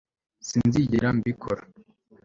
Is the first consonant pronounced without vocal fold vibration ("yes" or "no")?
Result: yes